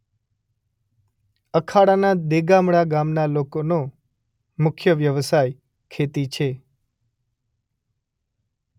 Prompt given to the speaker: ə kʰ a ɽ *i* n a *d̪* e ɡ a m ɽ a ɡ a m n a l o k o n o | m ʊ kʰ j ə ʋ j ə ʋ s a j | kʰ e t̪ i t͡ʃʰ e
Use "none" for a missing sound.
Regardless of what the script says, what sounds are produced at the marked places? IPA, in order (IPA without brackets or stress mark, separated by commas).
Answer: a, d̪